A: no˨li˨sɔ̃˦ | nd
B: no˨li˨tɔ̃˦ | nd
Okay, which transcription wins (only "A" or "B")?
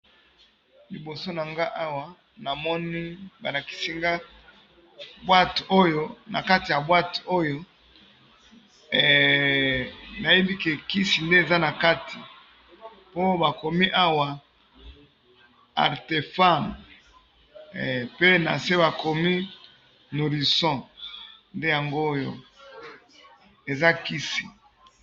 A